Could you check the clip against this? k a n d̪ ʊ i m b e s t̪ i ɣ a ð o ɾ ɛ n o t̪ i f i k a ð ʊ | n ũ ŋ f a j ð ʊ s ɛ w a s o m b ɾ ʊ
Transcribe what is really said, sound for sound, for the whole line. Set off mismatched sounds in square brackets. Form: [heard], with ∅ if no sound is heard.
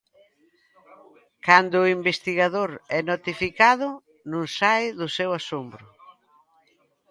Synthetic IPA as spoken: k a n d̪ ʊ i m b e s t̪ i ɣ a ð o ɾ ɛ n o t̪ i f i k a ð ʊ | n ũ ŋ [s] a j ð ʊ s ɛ w a s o m b ɾ ʊ